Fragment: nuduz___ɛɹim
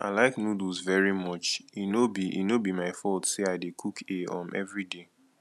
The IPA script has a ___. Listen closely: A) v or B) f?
A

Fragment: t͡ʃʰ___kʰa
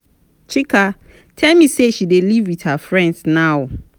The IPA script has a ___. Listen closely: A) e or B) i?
B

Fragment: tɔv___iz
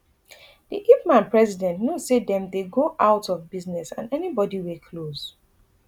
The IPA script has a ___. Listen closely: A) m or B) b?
B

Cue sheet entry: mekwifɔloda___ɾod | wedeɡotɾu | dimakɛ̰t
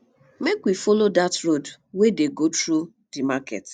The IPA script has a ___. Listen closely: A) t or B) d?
A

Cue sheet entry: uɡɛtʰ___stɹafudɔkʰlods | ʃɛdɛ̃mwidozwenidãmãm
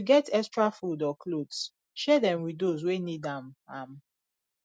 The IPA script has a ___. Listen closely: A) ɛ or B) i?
A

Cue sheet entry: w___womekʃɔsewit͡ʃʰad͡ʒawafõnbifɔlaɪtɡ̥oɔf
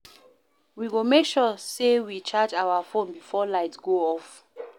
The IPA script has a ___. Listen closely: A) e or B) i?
B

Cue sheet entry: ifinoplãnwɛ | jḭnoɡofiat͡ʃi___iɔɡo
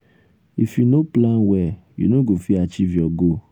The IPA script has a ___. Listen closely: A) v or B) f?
A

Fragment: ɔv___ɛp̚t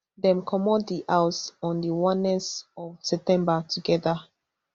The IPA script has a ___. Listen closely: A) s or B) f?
A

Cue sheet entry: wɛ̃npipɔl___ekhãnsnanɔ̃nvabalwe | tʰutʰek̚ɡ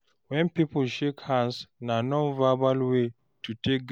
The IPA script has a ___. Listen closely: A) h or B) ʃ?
B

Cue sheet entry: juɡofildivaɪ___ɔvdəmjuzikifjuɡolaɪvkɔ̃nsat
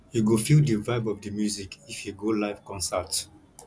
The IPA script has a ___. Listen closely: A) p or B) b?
B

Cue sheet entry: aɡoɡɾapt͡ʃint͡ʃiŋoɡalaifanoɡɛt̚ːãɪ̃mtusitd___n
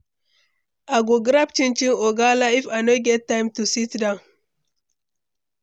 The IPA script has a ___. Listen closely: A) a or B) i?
A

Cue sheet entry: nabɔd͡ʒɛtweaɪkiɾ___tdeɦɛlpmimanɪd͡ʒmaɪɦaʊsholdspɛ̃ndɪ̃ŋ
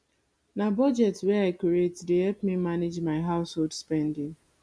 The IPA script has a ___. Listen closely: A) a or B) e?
B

